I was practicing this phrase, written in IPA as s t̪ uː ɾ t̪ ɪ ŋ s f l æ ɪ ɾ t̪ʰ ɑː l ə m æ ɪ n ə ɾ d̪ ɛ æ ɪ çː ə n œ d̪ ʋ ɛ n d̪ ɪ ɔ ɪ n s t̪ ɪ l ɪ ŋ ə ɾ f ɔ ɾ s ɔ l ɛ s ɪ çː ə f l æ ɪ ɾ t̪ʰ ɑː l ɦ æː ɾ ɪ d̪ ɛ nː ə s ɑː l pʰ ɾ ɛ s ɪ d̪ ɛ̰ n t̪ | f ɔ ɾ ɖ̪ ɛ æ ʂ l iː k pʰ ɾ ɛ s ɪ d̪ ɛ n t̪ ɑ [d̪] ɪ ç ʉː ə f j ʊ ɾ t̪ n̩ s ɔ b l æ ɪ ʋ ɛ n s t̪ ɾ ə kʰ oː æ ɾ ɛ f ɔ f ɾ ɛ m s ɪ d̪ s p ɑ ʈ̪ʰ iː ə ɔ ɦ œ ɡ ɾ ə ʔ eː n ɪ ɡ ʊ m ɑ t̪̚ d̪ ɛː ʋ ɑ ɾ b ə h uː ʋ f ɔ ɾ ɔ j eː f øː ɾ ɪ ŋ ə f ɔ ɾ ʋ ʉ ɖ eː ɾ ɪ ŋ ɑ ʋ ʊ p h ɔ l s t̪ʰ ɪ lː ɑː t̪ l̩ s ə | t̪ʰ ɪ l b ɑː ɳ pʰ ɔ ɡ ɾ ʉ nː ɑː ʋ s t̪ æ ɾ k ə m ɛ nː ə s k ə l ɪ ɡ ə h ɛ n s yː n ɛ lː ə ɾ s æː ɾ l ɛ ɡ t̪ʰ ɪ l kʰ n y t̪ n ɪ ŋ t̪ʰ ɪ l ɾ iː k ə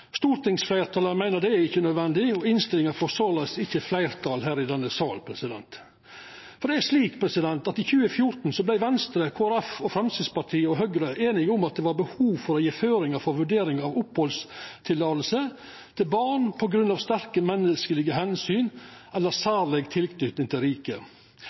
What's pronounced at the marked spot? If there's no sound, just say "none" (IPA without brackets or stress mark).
t̪